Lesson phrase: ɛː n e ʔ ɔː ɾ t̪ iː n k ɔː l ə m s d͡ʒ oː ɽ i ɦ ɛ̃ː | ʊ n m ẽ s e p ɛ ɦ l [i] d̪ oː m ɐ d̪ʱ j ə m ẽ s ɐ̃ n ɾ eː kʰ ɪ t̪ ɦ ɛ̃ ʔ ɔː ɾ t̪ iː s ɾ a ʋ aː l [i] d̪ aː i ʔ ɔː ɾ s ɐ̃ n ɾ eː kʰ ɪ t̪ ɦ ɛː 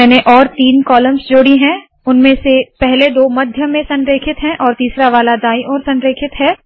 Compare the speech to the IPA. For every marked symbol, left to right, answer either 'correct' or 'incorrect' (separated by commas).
incorrect, incorrect